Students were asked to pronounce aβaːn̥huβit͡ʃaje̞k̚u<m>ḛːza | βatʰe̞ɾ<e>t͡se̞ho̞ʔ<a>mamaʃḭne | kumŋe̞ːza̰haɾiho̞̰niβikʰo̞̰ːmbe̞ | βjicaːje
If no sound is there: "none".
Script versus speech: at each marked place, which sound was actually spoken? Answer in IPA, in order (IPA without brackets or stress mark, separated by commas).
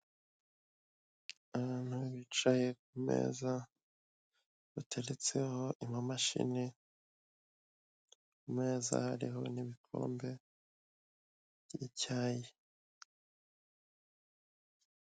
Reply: m, e, i